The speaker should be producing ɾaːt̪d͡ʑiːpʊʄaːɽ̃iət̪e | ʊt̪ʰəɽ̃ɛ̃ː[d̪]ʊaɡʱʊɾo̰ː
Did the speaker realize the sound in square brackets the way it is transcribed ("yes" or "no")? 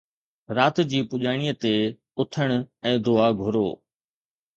yes